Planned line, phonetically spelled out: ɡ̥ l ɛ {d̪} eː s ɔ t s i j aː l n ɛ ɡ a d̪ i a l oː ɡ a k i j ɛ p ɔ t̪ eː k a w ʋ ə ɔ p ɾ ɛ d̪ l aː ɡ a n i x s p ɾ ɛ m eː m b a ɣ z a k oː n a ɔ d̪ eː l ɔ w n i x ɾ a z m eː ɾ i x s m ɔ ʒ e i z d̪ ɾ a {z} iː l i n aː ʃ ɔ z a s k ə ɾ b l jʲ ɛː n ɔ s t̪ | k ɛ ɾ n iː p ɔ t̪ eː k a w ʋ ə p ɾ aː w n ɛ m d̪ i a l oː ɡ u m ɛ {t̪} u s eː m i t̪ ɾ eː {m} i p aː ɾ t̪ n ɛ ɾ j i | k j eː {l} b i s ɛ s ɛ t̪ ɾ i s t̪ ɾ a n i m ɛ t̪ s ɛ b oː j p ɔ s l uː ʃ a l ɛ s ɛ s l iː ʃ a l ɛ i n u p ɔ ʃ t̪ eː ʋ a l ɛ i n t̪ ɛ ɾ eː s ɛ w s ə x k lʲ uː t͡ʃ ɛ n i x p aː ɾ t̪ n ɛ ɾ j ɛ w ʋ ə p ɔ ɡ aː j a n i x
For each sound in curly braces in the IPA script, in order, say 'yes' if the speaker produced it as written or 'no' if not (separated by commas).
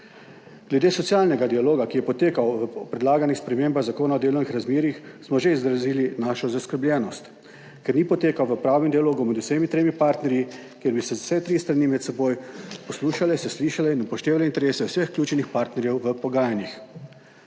yes, yes, no, yes, no